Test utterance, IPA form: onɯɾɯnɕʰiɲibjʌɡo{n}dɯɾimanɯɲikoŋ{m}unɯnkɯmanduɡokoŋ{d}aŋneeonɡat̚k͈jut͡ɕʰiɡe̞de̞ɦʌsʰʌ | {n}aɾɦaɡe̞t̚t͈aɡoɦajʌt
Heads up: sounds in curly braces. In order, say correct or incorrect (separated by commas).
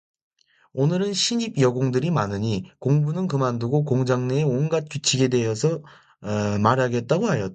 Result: incorrect, incorrect, incorrect, incorrect